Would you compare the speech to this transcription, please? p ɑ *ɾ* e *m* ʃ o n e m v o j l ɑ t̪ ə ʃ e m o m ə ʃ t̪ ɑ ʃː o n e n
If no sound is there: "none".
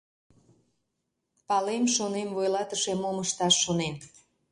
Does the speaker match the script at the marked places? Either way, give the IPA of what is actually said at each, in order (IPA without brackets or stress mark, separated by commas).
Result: l, m